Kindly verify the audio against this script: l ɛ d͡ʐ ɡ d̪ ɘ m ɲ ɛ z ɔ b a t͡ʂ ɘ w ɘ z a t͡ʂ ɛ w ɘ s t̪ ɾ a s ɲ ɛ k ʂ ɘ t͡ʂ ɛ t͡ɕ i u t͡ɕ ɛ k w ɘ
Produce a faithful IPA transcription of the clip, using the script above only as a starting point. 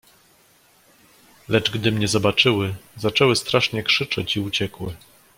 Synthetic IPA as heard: l ɛ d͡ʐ ɡ d̪ ɘ m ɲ ɛ z ɔ b a t͡ʂ ɘ w ɘ z a t͡ʂ ɛ w ɘ s t̪ ɾ a ʂ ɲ ɛ k ʂ ɘ t͡ʂ ɛ t͡ɕ i u t͡ɕ ɛ k w ɘ